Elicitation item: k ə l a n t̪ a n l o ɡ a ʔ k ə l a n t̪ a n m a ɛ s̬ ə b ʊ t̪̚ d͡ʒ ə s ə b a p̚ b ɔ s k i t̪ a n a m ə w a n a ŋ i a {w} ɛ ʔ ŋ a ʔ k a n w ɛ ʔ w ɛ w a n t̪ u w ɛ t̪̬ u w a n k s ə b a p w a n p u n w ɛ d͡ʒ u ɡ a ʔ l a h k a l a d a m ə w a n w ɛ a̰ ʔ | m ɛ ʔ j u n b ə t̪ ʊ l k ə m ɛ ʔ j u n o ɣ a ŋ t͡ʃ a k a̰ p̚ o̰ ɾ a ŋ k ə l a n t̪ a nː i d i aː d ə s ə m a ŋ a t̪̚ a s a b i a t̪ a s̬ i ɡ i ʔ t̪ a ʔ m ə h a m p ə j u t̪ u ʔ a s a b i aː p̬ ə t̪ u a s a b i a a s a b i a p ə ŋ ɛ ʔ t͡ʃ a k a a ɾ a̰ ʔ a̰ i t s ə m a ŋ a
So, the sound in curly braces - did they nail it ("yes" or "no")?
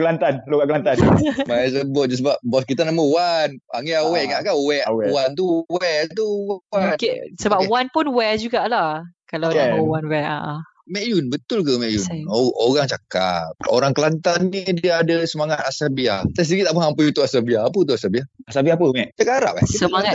yes